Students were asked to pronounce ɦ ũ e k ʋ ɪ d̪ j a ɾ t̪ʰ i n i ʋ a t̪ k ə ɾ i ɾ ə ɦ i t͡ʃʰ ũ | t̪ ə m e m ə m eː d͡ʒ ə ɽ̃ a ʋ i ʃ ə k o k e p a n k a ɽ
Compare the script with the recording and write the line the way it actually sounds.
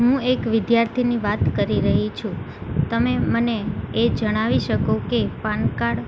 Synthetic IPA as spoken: ɦ ũ e k ʋ ɪ d̪ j a ɾ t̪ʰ i n i ʋ a t̪ k ə ɾ i ɾ ə ɦ i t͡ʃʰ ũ | t̪ ə m e m ə n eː d͡ʒ ə ɽ̃ a ʋ i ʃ ə k o k e p a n k a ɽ